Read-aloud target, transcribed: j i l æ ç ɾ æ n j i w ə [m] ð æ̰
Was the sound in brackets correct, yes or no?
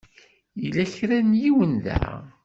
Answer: no